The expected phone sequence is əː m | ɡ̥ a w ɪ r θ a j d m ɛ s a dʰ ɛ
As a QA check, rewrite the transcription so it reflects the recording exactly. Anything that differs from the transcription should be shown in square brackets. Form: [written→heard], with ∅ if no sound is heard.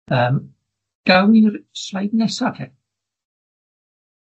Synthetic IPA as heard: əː m | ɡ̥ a w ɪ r [θ→s] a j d [m→n] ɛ s a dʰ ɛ